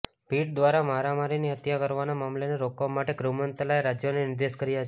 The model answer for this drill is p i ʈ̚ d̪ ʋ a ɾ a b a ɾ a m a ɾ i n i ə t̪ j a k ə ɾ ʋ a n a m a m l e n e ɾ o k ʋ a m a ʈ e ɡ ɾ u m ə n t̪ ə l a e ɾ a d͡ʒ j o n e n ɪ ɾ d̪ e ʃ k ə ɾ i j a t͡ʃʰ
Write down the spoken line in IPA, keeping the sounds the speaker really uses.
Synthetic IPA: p i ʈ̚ d̪ ʋ a ɾ a m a ɾ a m a ɾ i n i ə t̪ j a k ə ɾ ʋ a n a m a m l e n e ɾ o k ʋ a m a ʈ e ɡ ɾ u m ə n t̪ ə l a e ɾ a d͡ʒ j o n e n ɪ ɾ d̪ e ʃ k ə ɾ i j a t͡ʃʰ